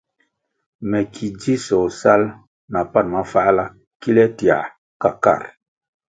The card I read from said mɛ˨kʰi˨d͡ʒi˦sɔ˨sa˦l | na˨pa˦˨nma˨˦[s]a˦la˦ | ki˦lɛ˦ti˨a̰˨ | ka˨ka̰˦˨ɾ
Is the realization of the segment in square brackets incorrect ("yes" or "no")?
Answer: yes